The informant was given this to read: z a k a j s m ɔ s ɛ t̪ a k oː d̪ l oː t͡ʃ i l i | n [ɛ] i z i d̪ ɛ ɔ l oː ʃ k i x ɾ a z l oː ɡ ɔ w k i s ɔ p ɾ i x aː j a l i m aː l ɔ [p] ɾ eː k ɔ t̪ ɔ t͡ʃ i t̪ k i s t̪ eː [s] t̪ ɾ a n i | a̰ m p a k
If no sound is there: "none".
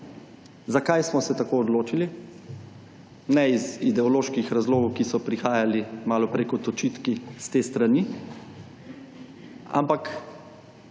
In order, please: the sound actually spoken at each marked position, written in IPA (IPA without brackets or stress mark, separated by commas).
ɛ, p, s